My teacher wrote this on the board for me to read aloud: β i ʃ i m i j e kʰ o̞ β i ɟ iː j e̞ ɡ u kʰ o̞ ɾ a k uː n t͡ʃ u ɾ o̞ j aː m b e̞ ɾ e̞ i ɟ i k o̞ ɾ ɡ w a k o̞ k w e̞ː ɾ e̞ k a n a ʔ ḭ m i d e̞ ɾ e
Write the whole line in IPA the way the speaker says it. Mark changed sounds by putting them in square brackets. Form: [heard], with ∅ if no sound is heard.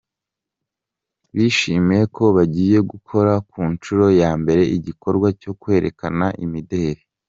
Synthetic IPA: β i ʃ i m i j e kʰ o̞ β [a] ɟ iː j e̞ ɡ u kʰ o̞ ɾ a k uː n t͡ʃ u ɾ o̞ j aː m b e̞ ɾ e̞ i ɟ i k o̞ ɾ ɡ w a [c] o̞ k w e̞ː ɾ e̞ k a n a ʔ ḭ m i d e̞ ɾ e